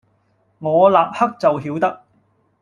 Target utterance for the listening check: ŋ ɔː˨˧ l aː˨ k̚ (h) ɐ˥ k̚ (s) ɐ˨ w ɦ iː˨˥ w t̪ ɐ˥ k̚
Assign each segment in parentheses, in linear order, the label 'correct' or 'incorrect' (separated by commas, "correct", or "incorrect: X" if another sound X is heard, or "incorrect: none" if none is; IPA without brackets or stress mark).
correct, incorrect: t͡s